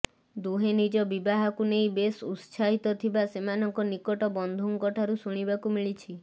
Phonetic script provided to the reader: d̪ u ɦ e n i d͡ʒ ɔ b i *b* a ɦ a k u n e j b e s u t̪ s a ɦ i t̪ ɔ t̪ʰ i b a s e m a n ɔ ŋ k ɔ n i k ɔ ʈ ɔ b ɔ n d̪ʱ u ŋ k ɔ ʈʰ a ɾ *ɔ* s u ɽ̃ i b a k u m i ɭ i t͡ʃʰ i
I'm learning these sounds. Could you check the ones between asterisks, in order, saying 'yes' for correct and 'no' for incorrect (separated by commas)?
yes, no